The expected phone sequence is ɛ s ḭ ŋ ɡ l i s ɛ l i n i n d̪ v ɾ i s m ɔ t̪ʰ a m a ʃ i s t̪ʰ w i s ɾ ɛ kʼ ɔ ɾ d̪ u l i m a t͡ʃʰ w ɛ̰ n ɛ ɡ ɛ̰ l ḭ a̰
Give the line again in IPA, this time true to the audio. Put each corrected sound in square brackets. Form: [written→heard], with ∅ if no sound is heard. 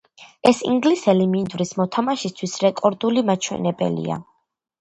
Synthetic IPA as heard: ɛ s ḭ ŋ ɡ l i s ɛ l i [n→m] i n d̪ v ɾ i s m ɔ t̪ʰ a m a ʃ i s t̪ʰ w i s ɾ ɛ kʼ ɔ ɾ d̪ u l i m a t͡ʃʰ w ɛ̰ n ɛ [ɡ→b] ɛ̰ l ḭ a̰

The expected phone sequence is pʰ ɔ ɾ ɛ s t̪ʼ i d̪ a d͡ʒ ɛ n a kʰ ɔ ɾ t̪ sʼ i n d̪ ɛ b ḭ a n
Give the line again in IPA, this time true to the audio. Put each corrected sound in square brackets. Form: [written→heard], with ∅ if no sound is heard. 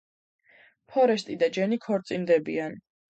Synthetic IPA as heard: pʰ ɔ ɾ ɛ s t̪ʼ i d̪ a d͡ʒ ɛ n [a→i] kʰ ɔ ɾ t̪ sʼ i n d̪ ɛ b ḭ a n

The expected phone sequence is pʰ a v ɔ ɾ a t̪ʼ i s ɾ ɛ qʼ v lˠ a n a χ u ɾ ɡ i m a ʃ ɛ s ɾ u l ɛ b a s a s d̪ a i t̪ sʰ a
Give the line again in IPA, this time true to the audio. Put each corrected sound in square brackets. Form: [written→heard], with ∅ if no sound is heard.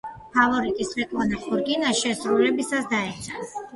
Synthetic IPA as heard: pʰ a v ɔ ɾ [a→i] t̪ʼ i s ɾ ɛ [qʼ→kʼ] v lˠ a n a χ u ɾ ɡ i [m→n] a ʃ ɛ s ɾ u l ɛ b [a→i] s a s d̪ a [i→ɛ] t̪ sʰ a

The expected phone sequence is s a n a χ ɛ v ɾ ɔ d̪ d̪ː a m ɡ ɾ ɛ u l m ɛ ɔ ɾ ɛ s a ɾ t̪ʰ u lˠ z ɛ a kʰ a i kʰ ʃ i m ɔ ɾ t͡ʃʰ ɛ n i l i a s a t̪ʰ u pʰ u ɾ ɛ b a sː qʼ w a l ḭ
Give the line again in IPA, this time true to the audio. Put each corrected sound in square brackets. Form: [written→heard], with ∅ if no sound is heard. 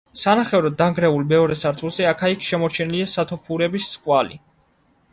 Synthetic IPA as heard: s a n a χ ɛ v ɾ ɔ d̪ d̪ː a [m→ŋ] ɡ ɾ ɛ u l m ɛ ɔ ɾ ɛ s a ɾ t̪ʰ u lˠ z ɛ a kʰ a i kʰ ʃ [i→ɛ] m ɔ ɾ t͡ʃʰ ɛ n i l i a s a t̪ʰ [u→ɔ] pʰ u ɾ ɛ b [a→i] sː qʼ w a l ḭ

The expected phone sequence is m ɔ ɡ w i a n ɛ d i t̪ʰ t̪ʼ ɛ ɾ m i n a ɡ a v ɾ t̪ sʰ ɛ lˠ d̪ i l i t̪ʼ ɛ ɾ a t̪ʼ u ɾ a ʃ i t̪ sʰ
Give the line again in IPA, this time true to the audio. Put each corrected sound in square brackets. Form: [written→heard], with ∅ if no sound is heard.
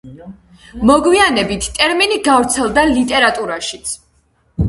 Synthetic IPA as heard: m ɔ ɡ w i a n ɛ [d→b] i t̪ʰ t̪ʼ ɛ ɾ m i n [a→i] ɡ a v ɾ t̪ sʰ ɛ lˠ d̪ [i→a] l i t̪ʼ ɛ ɾ a t̪ʼ u ɾ a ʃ i t̪ sʰ

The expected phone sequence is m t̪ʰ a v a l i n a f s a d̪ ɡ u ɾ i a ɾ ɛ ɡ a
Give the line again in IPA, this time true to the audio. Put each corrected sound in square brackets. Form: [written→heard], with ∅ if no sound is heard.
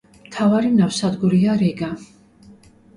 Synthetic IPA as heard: m t̪ʰ a v a [l→ɾ] i n a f s a d̪ ɡ u ɾ i a ɾ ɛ ɡ a

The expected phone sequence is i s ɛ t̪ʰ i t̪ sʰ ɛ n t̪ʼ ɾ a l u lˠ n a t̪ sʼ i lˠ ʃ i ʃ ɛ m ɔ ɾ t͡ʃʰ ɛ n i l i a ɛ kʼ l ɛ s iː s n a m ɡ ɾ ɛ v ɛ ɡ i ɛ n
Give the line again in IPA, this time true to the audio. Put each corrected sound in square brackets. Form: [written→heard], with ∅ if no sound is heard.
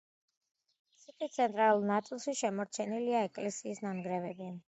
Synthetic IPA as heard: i s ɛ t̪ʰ i t̪ sʰ ɛ n t̪ʼ ɾ a l u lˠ n a t̪ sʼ i lˠ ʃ i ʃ ɛ m ɔ ɾ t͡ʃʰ ɛ n i l i a ɛ kʼ l ɛ s iː s n a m ɡ ɾ ɛ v ɛ [ɡ→b] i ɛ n

